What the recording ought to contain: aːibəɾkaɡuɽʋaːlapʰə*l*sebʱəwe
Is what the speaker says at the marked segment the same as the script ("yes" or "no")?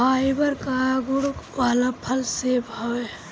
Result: yes